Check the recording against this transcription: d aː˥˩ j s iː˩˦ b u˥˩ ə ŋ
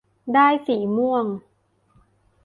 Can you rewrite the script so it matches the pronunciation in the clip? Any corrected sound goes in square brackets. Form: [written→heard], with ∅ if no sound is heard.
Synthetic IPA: d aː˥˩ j s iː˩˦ [b→m] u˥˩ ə ŋ